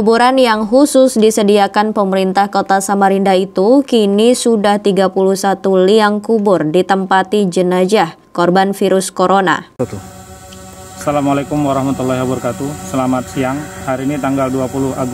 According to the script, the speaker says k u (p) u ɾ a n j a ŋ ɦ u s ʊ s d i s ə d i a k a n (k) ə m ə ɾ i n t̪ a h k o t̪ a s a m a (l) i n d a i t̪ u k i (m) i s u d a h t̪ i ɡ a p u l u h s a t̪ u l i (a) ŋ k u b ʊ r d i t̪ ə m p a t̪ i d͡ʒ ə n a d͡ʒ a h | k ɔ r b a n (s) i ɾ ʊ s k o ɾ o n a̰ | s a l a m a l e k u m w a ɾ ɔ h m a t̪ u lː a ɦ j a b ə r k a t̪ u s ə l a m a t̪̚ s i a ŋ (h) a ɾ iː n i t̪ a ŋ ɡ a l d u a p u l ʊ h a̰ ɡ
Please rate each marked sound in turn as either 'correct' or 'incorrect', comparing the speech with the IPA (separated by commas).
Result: incorrect, incorrect, incorrect, incorrect, correct, incorrect, correct